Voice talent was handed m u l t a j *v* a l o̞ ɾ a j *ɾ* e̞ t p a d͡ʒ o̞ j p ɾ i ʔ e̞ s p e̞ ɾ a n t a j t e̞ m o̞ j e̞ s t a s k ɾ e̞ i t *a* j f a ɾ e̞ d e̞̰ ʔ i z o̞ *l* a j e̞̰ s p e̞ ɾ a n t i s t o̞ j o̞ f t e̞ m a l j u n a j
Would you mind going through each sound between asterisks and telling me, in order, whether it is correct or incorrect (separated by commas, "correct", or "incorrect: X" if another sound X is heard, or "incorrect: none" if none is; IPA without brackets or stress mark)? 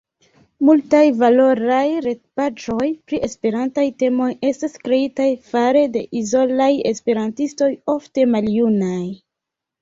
correct, correct, correct, correct